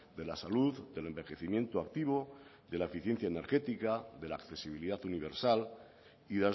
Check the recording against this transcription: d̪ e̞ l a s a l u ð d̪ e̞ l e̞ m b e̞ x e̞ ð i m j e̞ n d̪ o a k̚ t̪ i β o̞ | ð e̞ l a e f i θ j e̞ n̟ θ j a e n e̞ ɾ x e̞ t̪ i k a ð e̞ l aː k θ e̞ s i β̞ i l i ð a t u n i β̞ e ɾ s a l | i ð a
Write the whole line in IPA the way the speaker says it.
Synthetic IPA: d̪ e̞ l a s a l u ð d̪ e̞ l e̞ m b e̞ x e̞ θ i m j e̞ n t̪ o a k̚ t̪ i β o̞ | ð e̞ l a e f i θ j e̞ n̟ θ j a e n e̞ ɾ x e̞ t̪ i k a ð e̞ l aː k θ e̞ s i β̞ i l i ð a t u n i β̞ e ɾ s a l | i ð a